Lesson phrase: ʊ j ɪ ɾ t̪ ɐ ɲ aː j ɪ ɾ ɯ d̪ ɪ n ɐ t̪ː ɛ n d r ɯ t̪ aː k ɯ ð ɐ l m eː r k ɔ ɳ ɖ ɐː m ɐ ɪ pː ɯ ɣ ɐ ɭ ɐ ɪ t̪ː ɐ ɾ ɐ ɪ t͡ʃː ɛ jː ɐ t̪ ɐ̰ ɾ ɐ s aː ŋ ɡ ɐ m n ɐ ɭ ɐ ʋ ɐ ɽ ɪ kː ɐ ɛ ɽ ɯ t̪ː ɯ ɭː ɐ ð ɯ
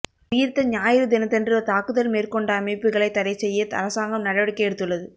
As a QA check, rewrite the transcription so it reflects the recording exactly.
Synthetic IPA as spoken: ʊ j ɪ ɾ t̪ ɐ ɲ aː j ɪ ɾ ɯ d̪ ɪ n ɐ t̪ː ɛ n d r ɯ t̪ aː k ɯ ð ɐ l m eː r k ɔ ɳ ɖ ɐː m ɐ ɪ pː ɯ ɣ ɐ ɭ ɐ ɪ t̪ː ɐ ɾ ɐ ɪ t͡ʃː ɛ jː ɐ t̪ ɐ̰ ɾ ɐ s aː ŋ ɡ ɐ m n ɐ ɽ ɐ ʋ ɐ ɽ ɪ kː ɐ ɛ ɽ ɯ t̪ː ɯ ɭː ɐ ð ɯ